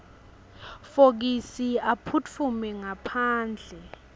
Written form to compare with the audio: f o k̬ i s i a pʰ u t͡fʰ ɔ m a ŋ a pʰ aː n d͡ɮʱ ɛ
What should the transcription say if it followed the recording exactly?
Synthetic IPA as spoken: f o k̬ i s i a pʰ u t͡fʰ u m ɛ ŋ a pʰ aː n d͡ɮʱ ɛ